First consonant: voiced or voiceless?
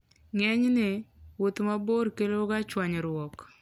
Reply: voiced